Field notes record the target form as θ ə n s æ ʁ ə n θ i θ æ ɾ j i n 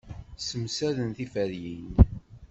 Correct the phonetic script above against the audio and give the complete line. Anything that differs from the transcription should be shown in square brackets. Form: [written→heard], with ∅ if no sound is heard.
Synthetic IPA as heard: [θ→s] ə [n→m] s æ [ʁ→ð] ə n θ i [θ→f] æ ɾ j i n